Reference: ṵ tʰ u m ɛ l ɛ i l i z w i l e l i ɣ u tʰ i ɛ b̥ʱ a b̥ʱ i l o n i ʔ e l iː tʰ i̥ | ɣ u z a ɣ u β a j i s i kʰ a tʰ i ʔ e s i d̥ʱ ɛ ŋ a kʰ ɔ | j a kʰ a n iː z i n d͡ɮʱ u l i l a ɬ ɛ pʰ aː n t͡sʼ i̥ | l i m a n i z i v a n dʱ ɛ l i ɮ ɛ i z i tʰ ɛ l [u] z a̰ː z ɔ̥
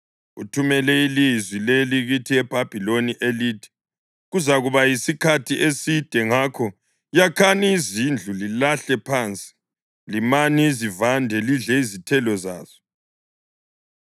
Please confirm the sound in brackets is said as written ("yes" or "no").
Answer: no